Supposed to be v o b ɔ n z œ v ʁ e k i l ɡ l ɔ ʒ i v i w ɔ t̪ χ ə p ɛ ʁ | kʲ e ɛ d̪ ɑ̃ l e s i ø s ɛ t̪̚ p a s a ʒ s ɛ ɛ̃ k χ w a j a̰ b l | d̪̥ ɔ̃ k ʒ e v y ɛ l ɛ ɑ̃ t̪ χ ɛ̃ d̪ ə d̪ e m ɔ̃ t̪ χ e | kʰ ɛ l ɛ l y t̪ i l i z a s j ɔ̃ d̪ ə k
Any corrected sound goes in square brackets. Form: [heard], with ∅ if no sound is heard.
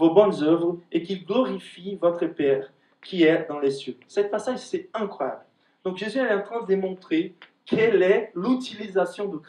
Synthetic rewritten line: v o b ɔ n z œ v ʁ e k i l ɡ l ɔ [ʁ] i [f] i [v] ɔ t̪ χ ə p ɛ ʁ | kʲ [i] ɛ d̪ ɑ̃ l e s [j] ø s ɛ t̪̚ p a s a ʒ s ɛ ɛ̃ k χ w a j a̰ b l | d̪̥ ɔ̃ k ʒ e [z] y ɛ l ɛ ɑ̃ t̪ χ ɛ̃ d̪ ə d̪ e m ɔ̃ t̪ χ e | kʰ ɛ l ɛ l y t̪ i l i z a s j ɔ̃ d̪ ə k

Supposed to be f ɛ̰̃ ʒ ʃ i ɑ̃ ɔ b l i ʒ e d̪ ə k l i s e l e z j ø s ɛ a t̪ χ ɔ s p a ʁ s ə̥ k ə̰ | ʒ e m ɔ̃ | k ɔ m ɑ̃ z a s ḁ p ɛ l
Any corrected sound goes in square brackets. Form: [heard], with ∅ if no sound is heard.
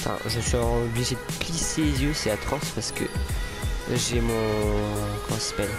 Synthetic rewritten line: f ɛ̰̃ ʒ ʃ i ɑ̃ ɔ b l i ʒ e d̪ ə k l i s e l e z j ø s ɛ a t̪ χ ɔ s p a ʁ s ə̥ k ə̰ | ʒ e m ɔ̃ | k ɔ m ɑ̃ [s] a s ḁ p ɛ l

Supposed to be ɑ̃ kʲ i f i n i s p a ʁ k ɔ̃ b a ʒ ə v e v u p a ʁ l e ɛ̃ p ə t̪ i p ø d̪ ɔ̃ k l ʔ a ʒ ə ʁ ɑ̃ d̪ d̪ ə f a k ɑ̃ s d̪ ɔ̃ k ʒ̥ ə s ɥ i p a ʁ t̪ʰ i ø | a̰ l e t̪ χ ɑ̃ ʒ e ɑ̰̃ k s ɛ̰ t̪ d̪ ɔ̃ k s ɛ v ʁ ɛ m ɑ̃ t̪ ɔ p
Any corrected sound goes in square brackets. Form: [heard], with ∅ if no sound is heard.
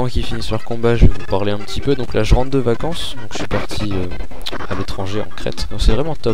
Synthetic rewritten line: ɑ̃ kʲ i f i n i s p a ʁ k ɔ̃ b a ʒ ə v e v u p a ʁ l e ɛ̃ p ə t̪ i p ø d̪ ɔ̃ k l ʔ a ʒ ə ʁ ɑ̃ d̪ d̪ ə [v] a k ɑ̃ s d̪ ɔ̃ k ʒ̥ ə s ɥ i p a ʁ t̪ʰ i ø | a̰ l e t̪ χ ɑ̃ ʒ e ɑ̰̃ k [χ] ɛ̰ t̪ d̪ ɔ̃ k s ɛ v ʁ ɛ m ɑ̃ t̪ ɔ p

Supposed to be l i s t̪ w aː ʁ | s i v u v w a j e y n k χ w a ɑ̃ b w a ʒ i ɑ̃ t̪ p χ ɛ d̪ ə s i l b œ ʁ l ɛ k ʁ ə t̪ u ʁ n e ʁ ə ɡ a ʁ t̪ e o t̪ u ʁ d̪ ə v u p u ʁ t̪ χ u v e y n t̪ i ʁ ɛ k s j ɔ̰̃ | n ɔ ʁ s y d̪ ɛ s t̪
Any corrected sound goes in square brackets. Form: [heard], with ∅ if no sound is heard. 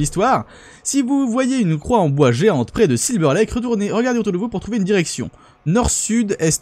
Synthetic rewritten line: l i s t̪ w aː ʁ | s i v u v w a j e y n k χ w a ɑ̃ b w a ʒ [e] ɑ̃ t̪ p χ ɛ d̪ ə s i l b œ ʁ l ɛ k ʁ ə t̪ u ʁ n e ʁ ə ɡ a ʁ [d̪] e o t̪ u ʁ d̪ ə v u p u ʁ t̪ χ u v e y n [d̪] i ʁ ɛ k s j ɔ̰̃ | n ɔ ʁ s y d̪ ɛ s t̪

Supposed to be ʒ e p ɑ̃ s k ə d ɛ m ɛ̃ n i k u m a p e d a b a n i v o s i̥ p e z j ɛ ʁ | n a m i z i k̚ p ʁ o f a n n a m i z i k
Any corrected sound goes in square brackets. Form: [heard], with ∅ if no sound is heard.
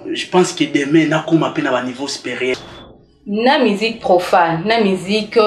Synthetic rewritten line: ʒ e p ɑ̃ s k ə d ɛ m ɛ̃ n [a] k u m a p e [n] a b a n i v o s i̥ p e [ʁ] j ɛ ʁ | n a m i z i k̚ p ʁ o f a n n a m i z i k

